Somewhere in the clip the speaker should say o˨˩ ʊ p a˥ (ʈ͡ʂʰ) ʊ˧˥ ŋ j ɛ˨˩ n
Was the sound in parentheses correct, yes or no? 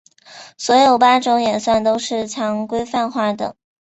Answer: no